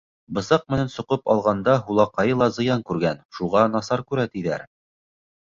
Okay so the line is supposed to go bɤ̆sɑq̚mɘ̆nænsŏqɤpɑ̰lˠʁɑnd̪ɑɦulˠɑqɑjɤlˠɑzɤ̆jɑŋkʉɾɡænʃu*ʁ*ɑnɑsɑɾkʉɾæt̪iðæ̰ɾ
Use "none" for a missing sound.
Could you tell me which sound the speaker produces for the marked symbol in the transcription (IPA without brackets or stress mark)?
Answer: ʁ